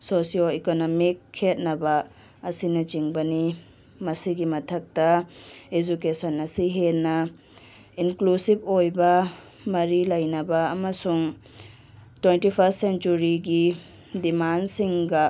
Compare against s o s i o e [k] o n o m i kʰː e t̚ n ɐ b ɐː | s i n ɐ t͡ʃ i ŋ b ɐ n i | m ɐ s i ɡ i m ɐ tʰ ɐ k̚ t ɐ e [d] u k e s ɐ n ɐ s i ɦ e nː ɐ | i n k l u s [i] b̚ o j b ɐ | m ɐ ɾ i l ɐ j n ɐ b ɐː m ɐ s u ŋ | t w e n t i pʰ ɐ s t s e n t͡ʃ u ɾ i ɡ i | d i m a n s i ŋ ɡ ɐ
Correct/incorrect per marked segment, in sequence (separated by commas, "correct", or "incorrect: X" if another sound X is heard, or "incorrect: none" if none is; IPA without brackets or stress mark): correct, incorrect: d͡ʒ, correct